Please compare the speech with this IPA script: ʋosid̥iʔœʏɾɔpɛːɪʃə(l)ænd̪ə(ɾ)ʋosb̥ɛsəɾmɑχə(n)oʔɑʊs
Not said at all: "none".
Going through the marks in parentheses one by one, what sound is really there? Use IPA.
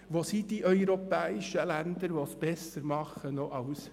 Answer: l, ɾ, n

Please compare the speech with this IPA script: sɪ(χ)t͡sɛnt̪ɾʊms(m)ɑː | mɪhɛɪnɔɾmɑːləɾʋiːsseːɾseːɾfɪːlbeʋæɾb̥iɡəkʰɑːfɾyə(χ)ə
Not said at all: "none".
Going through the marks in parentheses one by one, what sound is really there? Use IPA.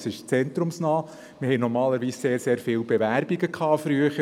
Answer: ʃ, n, χ

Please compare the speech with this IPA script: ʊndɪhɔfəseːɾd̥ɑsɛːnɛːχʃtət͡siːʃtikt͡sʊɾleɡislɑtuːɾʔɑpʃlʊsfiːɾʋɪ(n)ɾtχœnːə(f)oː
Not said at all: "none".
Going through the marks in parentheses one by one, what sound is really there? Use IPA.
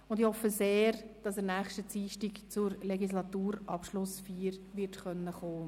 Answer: none, χ

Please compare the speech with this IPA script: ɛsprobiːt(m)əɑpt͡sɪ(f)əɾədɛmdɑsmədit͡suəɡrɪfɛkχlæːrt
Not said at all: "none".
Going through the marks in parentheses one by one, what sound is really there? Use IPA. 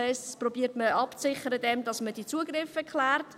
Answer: m, χ

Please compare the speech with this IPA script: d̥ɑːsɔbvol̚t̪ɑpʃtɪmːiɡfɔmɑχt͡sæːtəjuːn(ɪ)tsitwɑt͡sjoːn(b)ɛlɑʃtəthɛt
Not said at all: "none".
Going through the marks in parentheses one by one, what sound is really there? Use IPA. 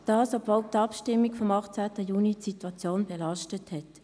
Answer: i, b

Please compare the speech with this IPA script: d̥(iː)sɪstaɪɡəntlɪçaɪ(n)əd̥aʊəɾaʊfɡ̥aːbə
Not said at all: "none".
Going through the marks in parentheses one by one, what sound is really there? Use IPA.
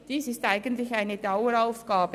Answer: iː, n

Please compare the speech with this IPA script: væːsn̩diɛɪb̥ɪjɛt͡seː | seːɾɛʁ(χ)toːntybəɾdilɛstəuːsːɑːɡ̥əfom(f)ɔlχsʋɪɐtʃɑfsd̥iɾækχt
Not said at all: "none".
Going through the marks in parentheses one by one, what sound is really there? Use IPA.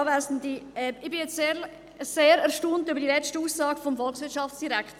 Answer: ʃ, f

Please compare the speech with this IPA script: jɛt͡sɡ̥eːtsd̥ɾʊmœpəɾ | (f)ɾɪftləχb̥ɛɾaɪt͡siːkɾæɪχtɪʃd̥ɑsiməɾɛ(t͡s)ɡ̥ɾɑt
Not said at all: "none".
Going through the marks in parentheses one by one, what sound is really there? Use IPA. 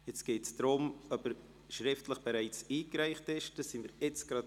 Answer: ʃ, t͡s

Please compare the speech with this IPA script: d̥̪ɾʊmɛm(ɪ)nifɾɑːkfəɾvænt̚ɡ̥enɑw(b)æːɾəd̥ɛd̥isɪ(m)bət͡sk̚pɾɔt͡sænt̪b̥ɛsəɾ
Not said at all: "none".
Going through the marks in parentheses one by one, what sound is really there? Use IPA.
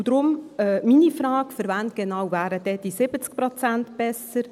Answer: i, v, none

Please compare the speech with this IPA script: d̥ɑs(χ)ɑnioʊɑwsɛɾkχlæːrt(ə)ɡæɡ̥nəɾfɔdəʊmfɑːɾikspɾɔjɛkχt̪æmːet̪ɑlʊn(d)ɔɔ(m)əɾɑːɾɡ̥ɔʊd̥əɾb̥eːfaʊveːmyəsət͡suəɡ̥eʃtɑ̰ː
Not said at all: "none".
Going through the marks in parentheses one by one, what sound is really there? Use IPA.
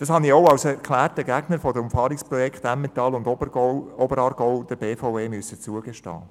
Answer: h, ə, d, b

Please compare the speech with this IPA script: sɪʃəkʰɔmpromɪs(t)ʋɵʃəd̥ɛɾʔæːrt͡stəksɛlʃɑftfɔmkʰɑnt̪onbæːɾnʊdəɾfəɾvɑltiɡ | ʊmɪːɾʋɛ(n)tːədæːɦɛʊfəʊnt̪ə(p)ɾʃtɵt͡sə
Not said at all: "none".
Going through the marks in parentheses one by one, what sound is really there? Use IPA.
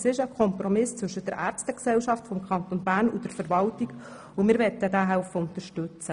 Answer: t͡s, none, none

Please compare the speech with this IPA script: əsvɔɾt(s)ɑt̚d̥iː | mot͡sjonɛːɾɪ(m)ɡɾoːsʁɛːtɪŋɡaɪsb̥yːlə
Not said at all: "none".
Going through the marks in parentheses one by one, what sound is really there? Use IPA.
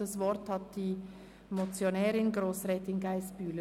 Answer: h, n

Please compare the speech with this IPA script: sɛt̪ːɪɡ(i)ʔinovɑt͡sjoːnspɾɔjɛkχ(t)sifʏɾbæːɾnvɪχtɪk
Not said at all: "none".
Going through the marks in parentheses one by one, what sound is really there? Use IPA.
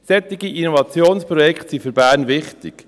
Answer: i, t

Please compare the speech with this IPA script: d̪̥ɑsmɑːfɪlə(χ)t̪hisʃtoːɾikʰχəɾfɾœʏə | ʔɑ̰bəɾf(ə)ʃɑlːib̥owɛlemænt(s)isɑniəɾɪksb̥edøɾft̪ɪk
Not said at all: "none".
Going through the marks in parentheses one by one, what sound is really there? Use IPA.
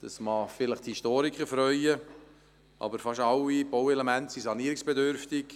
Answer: χ, ɑ, s

